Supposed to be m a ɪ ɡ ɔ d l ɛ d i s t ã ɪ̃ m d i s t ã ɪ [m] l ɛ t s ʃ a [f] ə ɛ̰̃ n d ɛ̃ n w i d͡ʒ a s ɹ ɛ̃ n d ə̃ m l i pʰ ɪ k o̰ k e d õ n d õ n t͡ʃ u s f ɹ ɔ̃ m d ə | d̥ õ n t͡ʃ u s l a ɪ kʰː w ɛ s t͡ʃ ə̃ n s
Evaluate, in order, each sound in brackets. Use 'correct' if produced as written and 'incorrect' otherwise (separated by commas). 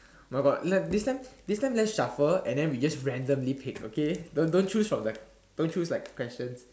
correct, correct